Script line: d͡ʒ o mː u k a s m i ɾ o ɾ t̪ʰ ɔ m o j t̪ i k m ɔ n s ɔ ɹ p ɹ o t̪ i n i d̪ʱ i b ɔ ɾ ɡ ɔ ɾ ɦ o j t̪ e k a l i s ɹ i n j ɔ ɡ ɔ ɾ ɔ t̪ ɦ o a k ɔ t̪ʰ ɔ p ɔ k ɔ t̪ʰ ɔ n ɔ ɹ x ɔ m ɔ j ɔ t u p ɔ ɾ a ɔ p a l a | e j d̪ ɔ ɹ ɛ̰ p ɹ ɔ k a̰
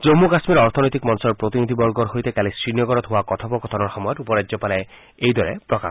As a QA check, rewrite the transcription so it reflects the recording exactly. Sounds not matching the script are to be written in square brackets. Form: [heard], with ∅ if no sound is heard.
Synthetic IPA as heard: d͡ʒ o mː u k a s m i ɾ [ɔ] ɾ t̪ʰ ɔ [n] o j t̪ i k m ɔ n s ɔ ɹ p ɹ o t̪ i n i d̪ʱ i b ɔ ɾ ɡ ɔ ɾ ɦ o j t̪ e k a l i s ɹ i n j ɔ ɡ ɔ ɾ ɔ t̪ ɦ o a k ɔ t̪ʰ ɔ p ɔ k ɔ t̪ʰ ɔ n ɔ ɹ x ɔ m ɔ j ɔ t u p ɔ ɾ a ɔ p a l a | e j d̪ ɔ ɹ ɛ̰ p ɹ ɔ k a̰